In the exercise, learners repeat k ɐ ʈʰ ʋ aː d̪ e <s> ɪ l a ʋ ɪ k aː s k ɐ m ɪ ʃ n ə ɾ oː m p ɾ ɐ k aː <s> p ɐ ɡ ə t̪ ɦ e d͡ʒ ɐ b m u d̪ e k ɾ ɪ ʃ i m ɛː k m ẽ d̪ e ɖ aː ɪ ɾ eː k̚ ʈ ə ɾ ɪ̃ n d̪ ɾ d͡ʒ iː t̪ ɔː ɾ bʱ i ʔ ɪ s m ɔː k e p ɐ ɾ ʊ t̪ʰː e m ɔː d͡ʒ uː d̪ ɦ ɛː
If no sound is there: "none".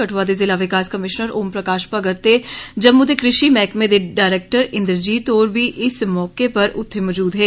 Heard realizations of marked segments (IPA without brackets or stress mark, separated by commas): z, ʃ